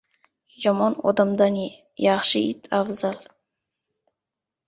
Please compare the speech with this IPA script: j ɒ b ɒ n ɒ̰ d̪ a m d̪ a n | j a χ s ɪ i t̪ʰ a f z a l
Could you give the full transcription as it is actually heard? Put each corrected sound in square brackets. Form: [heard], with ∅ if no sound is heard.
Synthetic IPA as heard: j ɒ [m] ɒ n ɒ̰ d̪ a m d̪ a n | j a χ [ʃ] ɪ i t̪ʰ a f z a l